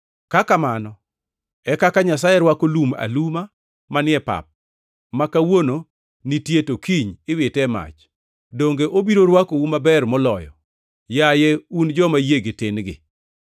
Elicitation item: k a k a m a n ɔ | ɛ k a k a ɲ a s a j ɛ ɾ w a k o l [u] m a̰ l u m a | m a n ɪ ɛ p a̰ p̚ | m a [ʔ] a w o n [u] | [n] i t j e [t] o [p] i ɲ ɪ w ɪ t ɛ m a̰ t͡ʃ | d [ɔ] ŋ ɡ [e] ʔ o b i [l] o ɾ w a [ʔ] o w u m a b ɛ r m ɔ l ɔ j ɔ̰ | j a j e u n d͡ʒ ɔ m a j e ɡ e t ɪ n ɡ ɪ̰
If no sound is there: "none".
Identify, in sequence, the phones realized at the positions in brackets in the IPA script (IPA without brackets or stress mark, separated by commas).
u, k, o, n, t, k, o, e, ɾ, k